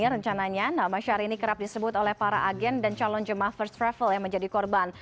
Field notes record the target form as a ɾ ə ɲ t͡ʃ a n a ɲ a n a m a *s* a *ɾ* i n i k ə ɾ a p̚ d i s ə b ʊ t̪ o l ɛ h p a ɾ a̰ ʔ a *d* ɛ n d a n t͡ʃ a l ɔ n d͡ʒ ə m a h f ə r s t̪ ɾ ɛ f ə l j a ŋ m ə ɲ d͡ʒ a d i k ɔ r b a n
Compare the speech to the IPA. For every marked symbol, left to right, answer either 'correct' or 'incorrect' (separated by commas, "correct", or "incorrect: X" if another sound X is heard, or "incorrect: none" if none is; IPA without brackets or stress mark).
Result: incorrect: ʃ, correct, incorrect: ɡ